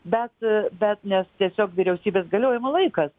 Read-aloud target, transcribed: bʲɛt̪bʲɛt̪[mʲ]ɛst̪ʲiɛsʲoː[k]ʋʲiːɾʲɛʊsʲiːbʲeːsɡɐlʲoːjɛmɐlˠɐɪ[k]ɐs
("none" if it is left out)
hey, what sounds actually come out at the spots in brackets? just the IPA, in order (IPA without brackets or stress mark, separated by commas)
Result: nʲ, k, k